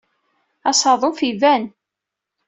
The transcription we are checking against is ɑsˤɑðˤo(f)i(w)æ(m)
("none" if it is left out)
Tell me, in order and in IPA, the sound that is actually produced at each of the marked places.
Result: f, v, n

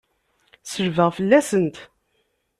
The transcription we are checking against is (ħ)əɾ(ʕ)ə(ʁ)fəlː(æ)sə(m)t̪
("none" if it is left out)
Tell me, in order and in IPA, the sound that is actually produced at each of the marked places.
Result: s, v, ʁ, æ, n

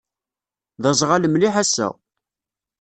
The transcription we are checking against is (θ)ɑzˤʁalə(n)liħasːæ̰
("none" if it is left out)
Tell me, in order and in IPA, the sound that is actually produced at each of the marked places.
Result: ð, m

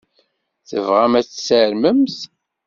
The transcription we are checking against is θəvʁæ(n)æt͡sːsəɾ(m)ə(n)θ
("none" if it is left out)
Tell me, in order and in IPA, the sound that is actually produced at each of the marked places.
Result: m, m, m

